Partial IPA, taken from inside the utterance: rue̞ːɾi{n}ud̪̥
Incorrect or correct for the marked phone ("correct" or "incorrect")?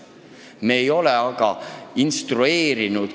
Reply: correct